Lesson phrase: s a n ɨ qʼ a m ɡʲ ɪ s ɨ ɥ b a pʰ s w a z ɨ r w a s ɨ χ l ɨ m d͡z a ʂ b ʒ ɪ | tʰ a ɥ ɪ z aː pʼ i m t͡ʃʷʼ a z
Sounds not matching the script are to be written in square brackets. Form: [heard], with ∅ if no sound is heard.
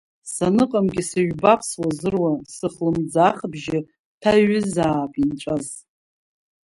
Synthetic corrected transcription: s a n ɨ qʼ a m ɡʲ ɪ s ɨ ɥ b a pʰ s w a z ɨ r w a s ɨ χ l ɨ m d͡z a [χ] b ʒ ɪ | tʰ a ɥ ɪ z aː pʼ i [n] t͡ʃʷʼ a z

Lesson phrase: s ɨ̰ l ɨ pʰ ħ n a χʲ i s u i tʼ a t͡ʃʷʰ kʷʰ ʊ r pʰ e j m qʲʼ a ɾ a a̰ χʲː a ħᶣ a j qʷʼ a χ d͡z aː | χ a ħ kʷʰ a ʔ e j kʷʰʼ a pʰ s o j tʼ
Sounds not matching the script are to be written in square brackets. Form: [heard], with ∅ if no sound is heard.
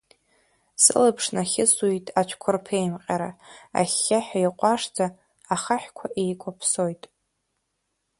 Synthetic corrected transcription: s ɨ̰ l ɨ pʰ [ʂ] n a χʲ [ɪ] s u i tʼ a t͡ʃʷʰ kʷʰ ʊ r pʰ e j m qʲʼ a ɾ a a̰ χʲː a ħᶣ a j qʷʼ a [ʂ] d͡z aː | χ a ħ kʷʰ a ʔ e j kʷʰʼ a pʰ s o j tʼ

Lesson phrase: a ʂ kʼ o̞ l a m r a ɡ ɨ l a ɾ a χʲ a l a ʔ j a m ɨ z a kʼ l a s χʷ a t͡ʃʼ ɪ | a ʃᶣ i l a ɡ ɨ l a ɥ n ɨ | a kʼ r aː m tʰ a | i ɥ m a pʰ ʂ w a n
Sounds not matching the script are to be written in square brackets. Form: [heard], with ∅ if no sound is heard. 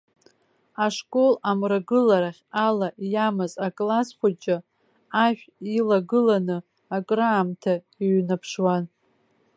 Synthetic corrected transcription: a ʂ kʼ o̞ l a m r a ɡ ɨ l a ɾ a χʲ a l a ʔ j a m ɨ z a kʼ l a s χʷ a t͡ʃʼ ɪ | a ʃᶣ i l a ɡ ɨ l a [∅] n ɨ | a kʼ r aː m tʰ a | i ɥ [n] a pʰ ʂ w a n

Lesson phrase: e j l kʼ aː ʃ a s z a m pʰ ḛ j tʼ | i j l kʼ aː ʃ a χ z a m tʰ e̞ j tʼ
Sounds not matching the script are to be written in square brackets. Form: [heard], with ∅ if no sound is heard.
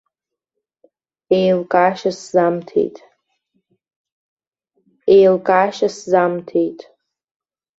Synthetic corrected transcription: e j l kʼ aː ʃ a s z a m [tʰ] ḛ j tʼ | [e] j l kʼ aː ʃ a [s] z a m tʰ e̞ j tʼ

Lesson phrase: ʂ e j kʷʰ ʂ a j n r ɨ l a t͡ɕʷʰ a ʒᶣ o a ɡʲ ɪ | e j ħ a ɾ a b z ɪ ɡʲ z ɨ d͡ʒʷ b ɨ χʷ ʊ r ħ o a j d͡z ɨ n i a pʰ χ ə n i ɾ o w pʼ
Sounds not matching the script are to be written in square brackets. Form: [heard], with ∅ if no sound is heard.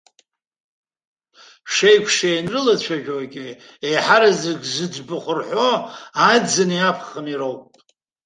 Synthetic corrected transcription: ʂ e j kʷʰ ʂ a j n r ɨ l a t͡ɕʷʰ a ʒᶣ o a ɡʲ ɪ | e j ħ a ɾ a [∅] z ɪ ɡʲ z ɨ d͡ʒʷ b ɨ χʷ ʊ r ħ o a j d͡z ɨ n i a pʰ χ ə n i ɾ o w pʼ

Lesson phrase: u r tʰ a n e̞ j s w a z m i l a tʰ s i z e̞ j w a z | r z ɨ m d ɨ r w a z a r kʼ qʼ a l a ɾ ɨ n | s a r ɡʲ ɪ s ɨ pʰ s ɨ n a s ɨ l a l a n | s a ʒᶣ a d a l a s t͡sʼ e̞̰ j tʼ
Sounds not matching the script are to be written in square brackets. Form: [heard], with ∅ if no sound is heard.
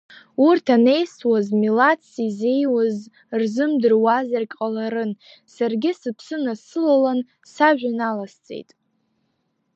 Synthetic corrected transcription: u r tʰ a n e̞ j s w a z m i l a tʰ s i z e̞ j w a z | r z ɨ m d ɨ r w a z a r kʼ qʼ a l a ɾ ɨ n | s a r ɡʲ ɪ s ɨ pʰ s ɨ n a s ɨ l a l a n | s a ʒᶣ a [n] a l a s t͡sʼ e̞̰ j tʼ

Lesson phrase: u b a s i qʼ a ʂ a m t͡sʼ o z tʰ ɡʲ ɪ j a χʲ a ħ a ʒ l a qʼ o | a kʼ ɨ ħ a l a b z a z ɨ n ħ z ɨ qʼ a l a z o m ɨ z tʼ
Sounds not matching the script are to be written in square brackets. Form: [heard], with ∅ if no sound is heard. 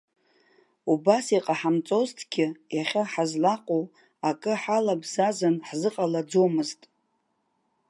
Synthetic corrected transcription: u b a s i qʼ a [ħ] a m t͡sʼ o z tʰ ɡʲ ɪ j a χʲ a ħ a [z] l a qʼ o | a kʼ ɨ ħ a l a b z a z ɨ n ħ z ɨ qʼ a l a [d͡z] o m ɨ z tʼ

